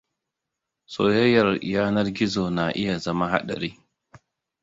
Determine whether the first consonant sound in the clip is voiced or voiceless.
voiceless